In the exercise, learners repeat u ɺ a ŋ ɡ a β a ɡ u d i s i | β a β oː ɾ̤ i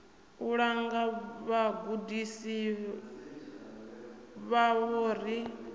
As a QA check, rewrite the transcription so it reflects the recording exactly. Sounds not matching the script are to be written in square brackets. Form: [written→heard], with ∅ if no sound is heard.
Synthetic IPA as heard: u ɺ a ŋ ɡ a β a ɡ u d i s i | β a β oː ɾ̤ i